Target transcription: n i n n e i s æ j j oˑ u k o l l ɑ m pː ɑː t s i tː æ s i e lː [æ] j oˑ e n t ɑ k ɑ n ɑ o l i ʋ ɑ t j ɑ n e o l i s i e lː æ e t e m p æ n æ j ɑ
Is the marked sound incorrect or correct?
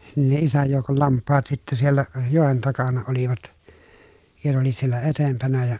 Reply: correct